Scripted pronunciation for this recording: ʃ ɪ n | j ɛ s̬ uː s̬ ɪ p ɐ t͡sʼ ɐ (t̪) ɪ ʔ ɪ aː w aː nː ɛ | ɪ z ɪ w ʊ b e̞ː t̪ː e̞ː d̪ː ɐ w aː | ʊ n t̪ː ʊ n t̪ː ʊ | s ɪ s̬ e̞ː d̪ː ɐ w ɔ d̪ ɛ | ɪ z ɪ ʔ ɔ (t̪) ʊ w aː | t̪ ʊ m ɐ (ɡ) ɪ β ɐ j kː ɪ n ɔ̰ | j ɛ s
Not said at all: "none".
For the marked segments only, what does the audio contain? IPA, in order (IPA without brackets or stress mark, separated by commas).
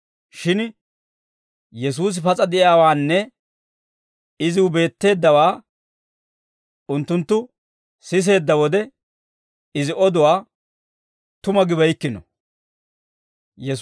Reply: d̪, d̪, ɡ